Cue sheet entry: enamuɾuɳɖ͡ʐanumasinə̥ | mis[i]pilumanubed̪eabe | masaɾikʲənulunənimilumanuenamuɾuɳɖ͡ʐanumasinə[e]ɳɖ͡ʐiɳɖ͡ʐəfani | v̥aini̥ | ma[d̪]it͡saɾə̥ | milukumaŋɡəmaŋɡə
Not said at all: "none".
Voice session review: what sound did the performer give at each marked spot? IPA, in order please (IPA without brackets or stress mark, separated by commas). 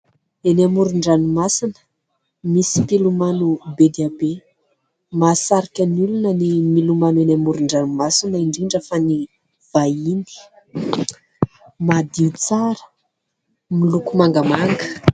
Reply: i, i, d̪